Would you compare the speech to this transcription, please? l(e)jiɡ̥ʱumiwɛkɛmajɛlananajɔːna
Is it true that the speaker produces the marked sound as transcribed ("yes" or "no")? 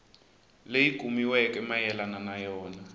yes